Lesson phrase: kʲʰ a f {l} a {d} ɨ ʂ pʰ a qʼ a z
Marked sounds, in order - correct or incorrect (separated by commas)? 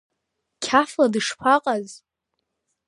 correct, correct